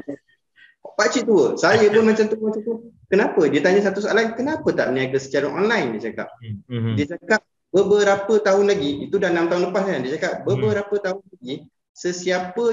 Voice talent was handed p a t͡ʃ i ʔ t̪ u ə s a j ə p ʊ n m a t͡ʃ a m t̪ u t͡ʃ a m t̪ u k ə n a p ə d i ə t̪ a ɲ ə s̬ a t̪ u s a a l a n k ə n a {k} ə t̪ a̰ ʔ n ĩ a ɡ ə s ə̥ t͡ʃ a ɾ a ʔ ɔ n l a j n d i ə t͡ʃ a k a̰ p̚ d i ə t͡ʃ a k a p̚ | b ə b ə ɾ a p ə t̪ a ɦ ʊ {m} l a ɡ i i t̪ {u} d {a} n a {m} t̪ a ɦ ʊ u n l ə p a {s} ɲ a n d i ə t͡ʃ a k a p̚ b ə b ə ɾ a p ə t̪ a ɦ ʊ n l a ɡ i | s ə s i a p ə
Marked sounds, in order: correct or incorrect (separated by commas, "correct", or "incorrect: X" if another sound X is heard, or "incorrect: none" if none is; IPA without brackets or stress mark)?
incorrect: p, incorrect: n, correct, correct, correct, correct